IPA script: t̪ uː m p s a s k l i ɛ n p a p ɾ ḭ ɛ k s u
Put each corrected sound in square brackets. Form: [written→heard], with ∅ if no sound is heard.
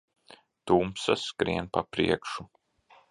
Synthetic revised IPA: t̪ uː m p s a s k [l→ɾ] i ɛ n p a p ɾ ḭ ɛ k [s→ʃ] u

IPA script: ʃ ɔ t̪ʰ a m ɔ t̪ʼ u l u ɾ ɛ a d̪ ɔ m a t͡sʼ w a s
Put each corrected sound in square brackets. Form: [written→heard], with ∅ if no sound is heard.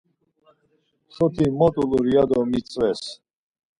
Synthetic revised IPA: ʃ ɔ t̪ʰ [a→i] m ɔ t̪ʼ u l u ɾ [ɛ→i] a d̪ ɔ m [a→i] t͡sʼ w [a→ɛ] s

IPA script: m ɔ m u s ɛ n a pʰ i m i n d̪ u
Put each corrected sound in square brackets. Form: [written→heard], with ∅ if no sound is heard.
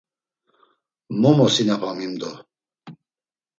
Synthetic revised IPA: m ɔ m [u→ɔ] s [ɛ→i] n a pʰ [i→a] m i [n→m] d̪ [u→ɔ]

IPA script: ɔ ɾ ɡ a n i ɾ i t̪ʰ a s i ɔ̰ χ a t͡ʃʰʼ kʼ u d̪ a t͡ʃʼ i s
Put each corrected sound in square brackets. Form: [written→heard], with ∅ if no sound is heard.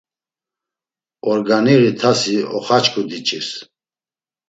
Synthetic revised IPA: ɔ ɾ ɡ a n i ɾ i t̪ʰ a s i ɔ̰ χ a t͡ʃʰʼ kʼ u d̪ [a→i] t͡ʃʼ i s

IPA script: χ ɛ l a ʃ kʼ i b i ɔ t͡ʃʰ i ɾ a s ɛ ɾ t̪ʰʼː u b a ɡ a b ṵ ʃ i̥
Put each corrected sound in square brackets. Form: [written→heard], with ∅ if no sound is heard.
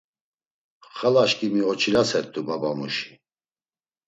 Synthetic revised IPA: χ [ɛ→a] l a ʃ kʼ i [b→m] i ɔ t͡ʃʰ i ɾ a s ɛ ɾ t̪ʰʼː u b a [ɡ→b] a [b→m] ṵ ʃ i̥

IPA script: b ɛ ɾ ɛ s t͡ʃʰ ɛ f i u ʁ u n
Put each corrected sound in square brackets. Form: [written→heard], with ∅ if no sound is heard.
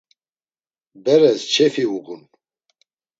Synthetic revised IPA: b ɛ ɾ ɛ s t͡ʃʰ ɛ f i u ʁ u n

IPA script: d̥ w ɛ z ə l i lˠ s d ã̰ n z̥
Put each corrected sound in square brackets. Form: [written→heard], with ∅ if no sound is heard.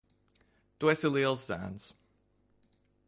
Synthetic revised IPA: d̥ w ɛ [z→s] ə l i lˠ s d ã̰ n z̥

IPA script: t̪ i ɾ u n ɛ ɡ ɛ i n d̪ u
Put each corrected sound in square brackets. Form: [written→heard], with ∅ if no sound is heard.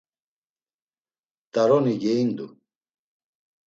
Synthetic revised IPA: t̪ [i→a] ɾ [u→ɔ] n [ɛ→i] ɡ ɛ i n d̪ u

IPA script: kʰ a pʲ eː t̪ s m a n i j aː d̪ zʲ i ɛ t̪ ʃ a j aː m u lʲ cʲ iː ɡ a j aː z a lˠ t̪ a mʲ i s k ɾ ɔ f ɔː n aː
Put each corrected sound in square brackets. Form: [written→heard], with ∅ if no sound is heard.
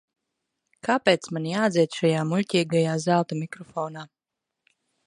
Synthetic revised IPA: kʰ a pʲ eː t̪ s m a n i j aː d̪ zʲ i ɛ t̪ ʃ a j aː m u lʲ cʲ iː ɡ a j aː z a lˠ t̪ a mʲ i [s→∅] k ɾ ɔ f ɔː n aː

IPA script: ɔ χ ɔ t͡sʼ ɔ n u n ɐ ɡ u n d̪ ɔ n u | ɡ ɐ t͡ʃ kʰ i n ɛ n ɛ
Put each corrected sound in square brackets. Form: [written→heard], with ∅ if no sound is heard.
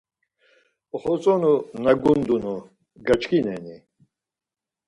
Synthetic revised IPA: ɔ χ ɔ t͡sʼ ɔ n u n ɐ ɡ u n d̪ [ɔ→u] n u | ɡ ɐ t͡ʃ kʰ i n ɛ n [ɛ→i]

